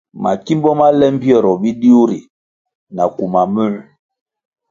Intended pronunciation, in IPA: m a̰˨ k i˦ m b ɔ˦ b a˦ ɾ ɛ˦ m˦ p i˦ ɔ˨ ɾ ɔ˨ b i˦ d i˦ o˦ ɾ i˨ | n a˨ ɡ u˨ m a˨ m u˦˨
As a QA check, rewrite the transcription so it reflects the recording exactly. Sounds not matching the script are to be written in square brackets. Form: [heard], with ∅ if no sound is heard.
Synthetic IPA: m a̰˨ k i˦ m b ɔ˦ [m] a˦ [l] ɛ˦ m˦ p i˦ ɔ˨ ɾ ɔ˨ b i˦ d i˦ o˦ ɾ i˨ | n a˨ [k] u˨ m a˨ m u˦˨